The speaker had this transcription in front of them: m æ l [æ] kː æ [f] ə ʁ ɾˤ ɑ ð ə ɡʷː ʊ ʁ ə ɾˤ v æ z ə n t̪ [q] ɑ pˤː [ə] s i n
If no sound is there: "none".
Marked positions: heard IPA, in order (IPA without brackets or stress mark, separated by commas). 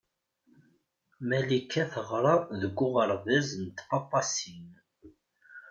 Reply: i, θ, q, ɑ